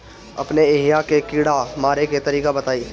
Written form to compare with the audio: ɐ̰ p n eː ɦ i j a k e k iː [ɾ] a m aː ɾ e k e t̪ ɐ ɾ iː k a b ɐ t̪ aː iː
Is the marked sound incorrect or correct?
incorrect